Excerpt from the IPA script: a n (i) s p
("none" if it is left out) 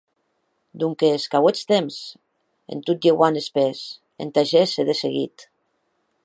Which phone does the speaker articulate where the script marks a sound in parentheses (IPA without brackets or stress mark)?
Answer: e